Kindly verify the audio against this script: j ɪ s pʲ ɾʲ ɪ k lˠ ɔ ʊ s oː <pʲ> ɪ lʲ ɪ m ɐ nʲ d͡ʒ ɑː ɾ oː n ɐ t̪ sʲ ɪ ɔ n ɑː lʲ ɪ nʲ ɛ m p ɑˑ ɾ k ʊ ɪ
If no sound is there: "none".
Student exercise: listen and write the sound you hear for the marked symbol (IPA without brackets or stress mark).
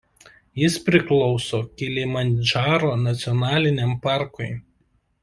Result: kʲ